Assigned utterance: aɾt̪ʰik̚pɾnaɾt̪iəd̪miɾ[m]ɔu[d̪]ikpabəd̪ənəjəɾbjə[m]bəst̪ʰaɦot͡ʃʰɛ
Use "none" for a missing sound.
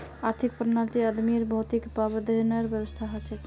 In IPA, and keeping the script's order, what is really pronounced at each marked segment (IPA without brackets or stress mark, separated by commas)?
b, t̪, none